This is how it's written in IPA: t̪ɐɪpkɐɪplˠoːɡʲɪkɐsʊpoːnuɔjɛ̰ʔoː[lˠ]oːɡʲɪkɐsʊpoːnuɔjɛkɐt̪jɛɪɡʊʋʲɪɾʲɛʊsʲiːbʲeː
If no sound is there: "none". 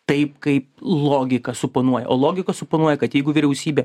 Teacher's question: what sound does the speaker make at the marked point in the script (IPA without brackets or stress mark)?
lˠ